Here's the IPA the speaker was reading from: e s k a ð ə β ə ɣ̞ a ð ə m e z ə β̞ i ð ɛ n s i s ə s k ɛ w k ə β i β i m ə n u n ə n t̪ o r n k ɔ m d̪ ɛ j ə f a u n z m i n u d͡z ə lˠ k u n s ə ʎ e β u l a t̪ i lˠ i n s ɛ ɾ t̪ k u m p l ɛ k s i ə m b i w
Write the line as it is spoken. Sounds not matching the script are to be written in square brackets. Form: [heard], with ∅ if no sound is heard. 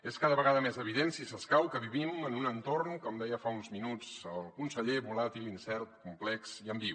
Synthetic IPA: e s k a ð ə β ə ɣ̞ a ð ə m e z ə β̞ i ð [e] n s i s ə s k [a] w k ə β i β i m ə n u n ə n t̪ o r n k ɔ m d̪ ɛ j ə f a u n z m i n u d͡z ə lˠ k u n s ə ʎ e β u l a t̪ i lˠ i n s ɛ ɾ t̪ k u m p l ɛ k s i ə m b i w

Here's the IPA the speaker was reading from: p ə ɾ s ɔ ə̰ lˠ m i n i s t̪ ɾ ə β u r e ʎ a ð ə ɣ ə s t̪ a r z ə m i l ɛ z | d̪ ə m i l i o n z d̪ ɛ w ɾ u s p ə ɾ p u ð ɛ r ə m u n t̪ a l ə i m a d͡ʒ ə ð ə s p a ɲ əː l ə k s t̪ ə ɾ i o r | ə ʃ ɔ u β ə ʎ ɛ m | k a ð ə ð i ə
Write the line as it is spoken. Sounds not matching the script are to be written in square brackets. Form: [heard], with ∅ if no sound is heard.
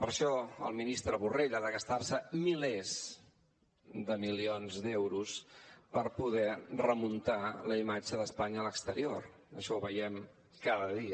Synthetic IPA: p ə ɾ [ʃ] ɔ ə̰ lˠ m i n i s t̪ ɾ ə β u r e ʎ a ð ə ɣ ə s t̪ a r [s] ə m i l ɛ z | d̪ ə m i l i o n z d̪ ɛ w ɾ u s p ə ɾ p u ð ɛ r ə m u n t̪ a l ə i m a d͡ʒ ə ð ə s p a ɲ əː l ə k s t̪ ə ɾ i o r | ə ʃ ɔ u β ə [j] ɛ m | k a ð ə ð i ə

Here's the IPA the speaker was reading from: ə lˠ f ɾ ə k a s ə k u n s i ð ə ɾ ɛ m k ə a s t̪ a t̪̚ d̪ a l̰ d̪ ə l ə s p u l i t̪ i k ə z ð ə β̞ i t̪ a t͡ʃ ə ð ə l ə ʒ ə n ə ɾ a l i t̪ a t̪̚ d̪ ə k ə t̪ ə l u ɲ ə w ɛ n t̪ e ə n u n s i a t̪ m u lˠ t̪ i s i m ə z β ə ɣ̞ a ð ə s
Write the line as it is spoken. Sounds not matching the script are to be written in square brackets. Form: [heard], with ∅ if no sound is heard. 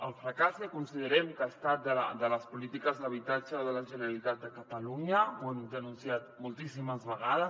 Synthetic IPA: ə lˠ f ɾ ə k a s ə k u n s i ð ə ɾ ɛ m k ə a s t̪ a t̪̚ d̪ [ə] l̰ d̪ ə l ə s p u l i t̪ i k ə z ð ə β̞ i t̪ a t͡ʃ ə ð ə l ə ʒ ə n ə ɾ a l i t̪ a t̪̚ d̪ ə k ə t̪ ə l u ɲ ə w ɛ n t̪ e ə n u n s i a t̪ m u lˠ t̪ i s i m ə z β ə ɣ̞ a ð ə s

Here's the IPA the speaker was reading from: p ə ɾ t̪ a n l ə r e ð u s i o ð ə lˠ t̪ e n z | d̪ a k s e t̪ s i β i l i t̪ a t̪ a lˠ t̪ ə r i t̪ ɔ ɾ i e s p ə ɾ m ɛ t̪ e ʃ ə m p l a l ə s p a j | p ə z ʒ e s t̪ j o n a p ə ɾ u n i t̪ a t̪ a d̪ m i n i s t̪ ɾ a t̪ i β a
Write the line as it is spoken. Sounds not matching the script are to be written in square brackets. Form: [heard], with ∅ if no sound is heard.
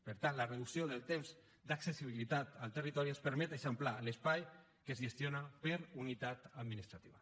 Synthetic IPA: p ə ɾ t̪ a n l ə r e ð u s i o ð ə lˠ t̪ e [m] z | d̪ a k s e [∅] s i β i l i t̪ a t̪ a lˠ t̪ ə r i t̪ ɔ ɾ i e s p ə ɾ m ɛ t̪ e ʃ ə m p l a l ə s p a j | [k] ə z ʒ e s t̪ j o n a p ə ɾ u n i t̪ a t̪ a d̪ m i n i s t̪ ɾ a t̪ i β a

